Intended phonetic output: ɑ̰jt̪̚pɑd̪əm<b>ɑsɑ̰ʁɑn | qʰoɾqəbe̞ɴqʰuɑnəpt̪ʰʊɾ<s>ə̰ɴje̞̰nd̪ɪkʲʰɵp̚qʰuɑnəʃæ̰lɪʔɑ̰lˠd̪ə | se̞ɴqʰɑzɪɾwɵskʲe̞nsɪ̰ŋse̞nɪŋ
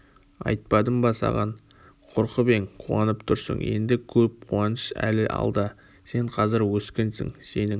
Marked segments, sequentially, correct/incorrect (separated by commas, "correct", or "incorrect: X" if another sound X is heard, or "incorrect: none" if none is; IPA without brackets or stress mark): correct, correct